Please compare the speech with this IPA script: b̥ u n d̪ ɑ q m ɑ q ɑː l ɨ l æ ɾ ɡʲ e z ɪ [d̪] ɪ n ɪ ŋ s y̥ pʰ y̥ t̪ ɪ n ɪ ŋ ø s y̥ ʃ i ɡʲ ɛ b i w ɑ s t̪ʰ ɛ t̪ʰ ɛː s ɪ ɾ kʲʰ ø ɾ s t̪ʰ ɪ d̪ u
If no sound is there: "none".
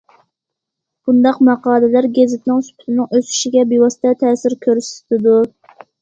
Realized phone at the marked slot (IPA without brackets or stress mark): t̪